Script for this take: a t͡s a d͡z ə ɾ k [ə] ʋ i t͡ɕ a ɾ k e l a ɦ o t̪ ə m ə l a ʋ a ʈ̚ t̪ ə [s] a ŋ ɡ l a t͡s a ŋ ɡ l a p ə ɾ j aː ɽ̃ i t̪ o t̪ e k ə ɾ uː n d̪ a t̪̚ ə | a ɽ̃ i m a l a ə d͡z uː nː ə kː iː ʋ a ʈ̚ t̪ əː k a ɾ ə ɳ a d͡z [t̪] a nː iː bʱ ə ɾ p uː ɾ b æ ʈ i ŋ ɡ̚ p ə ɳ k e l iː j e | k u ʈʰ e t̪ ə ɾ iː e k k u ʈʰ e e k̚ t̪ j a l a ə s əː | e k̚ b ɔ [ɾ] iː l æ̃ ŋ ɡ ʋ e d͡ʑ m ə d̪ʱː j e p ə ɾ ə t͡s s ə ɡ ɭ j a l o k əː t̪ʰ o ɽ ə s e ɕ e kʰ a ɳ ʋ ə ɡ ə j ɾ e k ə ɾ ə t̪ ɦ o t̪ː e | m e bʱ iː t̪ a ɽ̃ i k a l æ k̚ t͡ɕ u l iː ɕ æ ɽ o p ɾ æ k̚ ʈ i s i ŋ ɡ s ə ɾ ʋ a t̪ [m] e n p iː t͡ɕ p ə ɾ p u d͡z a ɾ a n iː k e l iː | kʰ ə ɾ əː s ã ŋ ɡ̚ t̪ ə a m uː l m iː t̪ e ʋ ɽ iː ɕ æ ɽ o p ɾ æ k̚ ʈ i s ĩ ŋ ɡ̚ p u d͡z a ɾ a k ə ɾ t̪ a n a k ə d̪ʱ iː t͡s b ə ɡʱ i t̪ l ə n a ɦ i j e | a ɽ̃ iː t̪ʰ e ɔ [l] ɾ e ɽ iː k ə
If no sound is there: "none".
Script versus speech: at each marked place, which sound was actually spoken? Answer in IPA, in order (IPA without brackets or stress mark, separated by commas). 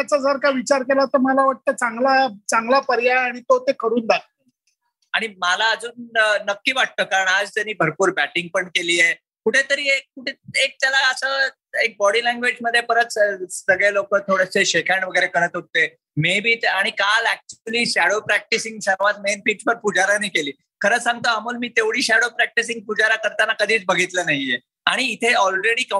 a, t͡s, t̪, ɽ, m, l